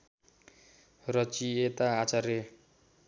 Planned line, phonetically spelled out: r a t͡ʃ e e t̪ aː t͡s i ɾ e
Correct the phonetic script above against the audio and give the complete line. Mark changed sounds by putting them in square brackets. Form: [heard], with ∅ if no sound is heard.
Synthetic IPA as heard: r [ʌ] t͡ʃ [i] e t̪ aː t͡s [a] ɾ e